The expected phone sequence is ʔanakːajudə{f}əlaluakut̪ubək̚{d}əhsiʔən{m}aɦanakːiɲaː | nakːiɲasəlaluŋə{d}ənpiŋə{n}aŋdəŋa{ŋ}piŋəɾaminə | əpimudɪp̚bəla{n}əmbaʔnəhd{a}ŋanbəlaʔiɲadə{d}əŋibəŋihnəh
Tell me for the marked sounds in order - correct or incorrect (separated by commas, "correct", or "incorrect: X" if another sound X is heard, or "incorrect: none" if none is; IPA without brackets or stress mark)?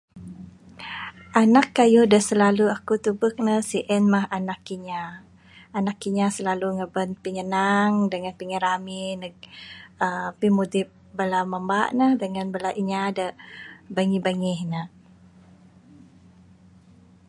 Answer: incorrect: s, incorrect: n, correct, incorrect: b, correct, incorrect: n, incorrect: m, incorrect: ə, incorrect: b